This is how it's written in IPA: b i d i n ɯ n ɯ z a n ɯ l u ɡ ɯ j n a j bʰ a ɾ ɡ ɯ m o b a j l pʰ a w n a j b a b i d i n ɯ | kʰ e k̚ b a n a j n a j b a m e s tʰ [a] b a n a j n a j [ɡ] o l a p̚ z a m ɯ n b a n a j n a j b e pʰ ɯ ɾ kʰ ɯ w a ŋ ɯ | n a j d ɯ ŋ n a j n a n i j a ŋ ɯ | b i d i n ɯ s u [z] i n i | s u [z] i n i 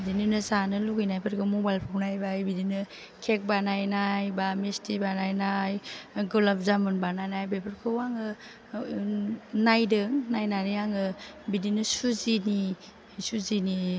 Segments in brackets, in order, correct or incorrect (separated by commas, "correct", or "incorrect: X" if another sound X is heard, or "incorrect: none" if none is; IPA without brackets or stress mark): incorrect: i, correct, correct, correct